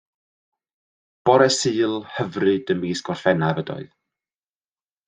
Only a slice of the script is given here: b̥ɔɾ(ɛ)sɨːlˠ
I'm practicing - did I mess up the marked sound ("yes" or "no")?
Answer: no